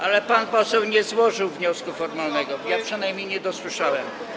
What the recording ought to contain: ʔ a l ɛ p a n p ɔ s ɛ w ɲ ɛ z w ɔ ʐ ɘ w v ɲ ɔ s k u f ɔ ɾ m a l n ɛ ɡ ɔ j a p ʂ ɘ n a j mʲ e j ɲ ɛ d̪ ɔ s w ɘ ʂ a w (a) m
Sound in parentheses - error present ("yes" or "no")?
yes